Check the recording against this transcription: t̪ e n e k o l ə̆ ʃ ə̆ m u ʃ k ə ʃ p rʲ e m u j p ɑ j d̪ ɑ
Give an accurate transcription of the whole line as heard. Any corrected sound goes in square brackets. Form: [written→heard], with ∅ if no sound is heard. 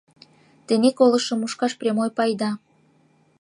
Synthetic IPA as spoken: t̪ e n e k o l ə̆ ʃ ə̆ m u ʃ k [ə→ɑ] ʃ p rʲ e m [u→o] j p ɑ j d̪ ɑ